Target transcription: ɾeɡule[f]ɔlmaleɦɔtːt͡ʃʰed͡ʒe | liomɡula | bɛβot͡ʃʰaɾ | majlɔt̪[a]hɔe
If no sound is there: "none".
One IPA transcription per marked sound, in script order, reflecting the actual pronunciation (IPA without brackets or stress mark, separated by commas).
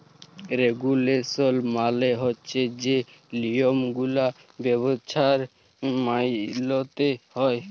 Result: s, e